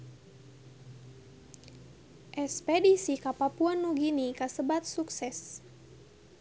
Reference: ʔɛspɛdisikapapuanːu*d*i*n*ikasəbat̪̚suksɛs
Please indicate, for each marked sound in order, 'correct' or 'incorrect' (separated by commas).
incorrect, correct